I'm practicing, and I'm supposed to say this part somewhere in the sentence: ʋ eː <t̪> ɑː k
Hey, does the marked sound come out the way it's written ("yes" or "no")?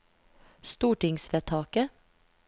no